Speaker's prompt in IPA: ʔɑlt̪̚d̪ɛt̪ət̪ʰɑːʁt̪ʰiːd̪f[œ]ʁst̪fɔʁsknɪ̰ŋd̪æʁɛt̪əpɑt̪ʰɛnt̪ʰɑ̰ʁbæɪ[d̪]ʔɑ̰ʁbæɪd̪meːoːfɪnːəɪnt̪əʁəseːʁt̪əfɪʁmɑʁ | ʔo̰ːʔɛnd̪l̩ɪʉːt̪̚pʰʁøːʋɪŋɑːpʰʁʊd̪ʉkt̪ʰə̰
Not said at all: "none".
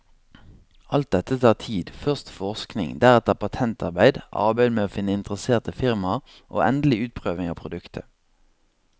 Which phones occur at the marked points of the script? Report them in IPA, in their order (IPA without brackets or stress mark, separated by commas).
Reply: œ, d̪